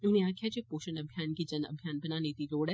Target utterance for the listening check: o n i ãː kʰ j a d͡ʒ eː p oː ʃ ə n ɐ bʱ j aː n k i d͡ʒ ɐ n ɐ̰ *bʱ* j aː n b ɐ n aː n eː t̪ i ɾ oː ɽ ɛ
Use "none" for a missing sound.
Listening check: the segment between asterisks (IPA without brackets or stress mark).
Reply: bʱ